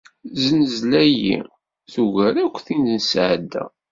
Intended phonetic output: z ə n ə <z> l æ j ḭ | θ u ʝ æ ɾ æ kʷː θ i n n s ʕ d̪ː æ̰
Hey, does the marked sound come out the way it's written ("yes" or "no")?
yes